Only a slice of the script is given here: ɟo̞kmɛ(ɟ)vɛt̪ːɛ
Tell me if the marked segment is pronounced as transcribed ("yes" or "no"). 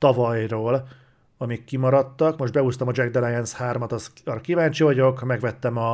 no